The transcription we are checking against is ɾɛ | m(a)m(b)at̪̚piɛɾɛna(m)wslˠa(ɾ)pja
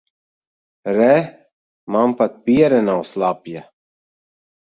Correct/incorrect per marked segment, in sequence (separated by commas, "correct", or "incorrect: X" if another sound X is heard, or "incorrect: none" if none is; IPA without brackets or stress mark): correct, incorrect: p, incorrect: none, incorrect: none